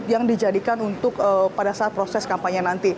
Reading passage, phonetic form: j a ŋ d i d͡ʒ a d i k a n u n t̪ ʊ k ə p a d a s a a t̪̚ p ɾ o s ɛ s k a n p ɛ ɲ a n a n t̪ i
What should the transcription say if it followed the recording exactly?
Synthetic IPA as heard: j a ŋ d i d͡ʒ a d i k a n u n t̪ ʊ k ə p a d a s a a t̪̚ p ɾ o s ɛ s k a m p a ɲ a n a n t̪ i